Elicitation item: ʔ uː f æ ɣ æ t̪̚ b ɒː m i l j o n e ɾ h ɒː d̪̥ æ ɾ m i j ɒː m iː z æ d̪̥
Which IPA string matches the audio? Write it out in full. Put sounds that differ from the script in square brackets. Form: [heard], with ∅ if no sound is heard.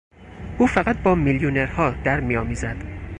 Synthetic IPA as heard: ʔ uː f æ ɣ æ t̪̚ b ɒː m i l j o n e ɾ h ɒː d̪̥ æ ɾ m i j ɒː m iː z æ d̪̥